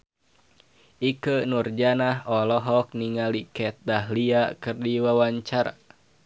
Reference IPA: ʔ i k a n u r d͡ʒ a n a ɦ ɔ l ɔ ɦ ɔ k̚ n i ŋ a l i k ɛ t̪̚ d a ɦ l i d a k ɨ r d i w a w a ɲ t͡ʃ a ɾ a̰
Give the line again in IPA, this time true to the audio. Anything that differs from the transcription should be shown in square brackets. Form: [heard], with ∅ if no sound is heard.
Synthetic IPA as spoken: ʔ i k [ə] n u r d͡ʒ a n a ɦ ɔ l ɔ ɦ ɔ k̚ n i ŋ a l i k ɛ t̪̚ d a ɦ l i [∅] a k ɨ r d i w a w a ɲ t͡ʃ a ɾ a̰